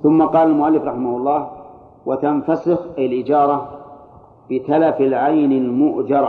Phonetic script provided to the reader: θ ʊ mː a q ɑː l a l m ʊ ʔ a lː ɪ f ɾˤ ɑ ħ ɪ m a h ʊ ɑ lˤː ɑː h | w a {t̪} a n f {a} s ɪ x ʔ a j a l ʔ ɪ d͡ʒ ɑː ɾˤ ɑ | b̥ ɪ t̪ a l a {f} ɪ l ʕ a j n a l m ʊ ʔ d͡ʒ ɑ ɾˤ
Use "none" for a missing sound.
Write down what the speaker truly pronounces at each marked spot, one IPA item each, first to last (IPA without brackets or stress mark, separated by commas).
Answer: t̪, a, f